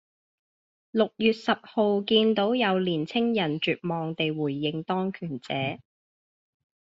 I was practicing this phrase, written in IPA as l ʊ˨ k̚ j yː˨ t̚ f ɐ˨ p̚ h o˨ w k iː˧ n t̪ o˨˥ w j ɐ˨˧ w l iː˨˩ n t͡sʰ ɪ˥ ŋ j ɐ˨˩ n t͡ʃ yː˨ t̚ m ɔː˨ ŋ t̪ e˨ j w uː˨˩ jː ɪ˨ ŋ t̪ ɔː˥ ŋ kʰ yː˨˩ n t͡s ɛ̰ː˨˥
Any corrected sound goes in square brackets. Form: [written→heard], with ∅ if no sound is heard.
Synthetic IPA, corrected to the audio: l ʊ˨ k̚ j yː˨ t̚ [f→s] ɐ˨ p̚ h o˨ w k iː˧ n t̪ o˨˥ w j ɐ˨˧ w l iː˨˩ n t͡sʰ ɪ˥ ŋ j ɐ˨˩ n t͡ʃ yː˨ t̚ m ɔː˨ ŋ t̪ e˨ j w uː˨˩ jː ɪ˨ ŋ t̪ ɔː˥ ŋ kʰ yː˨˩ n t͡s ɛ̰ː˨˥